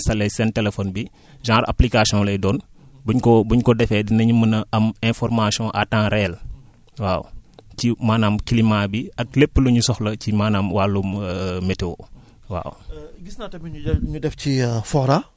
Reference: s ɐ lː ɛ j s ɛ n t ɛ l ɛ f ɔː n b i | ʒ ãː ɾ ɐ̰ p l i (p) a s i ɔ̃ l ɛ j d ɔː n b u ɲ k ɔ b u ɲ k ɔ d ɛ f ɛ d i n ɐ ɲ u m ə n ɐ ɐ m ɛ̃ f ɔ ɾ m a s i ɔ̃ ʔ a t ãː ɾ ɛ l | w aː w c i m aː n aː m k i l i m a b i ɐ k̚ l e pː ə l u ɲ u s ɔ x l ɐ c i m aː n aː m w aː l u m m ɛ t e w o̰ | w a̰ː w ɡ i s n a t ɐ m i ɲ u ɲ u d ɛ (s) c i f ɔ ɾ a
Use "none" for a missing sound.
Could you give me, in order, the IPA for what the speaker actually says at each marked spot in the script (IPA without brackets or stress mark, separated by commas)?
k, f